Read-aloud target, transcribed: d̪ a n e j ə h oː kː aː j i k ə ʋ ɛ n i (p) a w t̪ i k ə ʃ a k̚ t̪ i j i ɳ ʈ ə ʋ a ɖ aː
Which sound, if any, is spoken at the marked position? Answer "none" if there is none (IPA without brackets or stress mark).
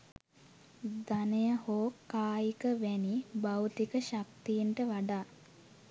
b